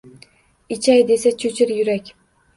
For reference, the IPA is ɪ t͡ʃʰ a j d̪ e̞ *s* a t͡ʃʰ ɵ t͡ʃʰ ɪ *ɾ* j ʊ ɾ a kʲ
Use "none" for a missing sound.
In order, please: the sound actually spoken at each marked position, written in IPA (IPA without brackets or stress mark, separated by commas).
s, ɾ